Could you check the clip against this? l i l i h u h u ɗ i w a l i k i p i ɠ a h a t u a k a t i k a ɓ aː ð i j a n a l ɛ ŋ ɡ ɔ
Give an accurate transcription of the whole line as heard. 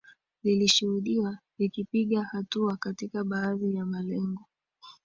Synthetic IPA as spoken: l i l i ʃ u h u ɗ i w a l i k i p i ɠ a h a t u a k a t i k a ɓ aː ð i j a m a l ɛ ŋ ɡ ɔ

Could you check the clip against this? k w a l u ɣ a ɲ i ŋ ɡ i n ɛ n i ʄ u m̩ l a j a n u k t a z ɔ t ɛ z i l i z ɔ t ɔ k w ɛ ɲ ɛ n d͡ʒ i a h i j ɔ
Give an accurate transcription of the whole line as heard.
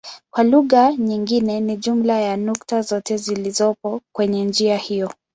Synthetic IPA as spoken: k w a l u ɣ a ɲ i ŋ ɡ i n ɛ n i ʄ u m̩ l a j a n u k t a z ɔ t ɛ z i l i z ɔ p ɔ k w ɛ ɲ ɛ n d͡ʒ i a h i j ɔ

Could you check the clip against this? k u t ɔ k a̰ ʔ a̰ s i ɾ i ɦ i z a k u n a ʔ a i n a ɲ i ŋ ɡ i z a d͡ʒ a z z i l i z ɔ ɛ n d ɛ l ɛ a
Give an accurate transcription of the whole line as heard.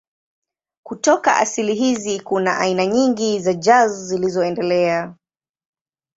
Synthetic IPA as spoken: k u t ɔ k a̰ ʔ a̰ s i l i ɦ i z i k u n a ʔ a i n a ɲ i ŋ ɡ i z a d͡ʒ a z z i l i z ɔ ɛ n d ɛ l ɛ a

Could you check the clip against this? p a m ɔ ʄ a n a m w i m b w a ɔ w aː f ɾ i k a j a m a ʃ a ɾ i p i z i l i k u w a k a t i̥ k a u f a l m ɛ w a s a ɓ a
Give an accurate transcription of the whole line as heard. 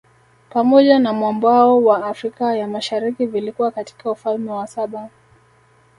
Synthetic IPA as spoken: p a m ɔ ʄ a n a m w a m b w a ɔ w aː f ɾ i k a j a m a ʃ a ɾ i k i v i l i k u w a k a t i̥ k a u f a l m ɛ w a s a ɓ a

